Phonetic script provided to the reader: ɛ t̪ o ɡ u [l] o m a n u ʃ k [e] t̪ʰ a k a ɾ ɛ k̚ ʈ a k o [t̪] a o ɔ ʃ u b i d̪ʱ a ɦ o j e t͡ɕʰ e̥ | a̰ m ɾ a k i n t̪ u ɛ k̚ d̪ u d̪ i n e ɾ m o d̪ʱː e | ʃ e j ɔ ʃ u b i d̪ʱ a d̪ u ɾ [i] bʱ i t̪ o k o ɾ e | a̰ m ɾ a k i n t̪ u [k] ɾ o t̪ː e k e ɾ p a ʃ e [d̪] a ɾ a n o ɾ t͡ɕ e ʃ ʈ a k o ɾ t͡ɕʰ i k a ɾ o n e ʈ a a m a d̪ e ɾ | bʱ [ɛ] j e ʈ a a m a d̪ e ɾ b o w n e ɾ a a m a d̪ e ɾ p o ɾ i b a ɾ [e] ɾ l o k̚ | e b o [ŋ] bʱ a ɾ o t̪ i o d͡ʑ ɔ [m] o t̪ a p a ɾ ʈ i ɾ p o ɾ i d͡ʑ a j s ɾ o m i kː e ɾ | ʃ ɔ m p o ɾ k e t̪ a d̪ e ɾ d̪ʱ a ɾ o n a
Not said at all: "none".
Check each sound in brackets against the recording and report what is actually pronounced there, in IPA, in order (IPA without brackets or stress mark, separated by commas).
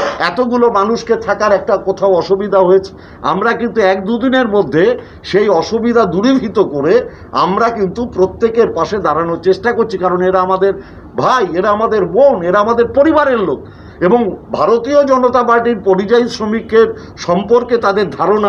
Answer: l, e, t̪ʰ, i, p, d̪, a, e, ŋ, n